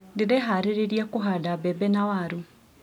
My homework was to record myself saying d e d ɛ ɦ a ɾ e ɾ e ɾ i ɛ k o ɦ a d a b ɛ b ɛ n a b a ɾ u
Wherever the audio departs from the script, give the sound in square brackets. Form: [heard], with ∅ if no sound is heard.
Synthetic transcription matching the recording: d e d ɛ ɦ a ɾ e ɾ e ɾ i [a] k o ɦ a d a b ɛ b ɛ n a [w] a ɾ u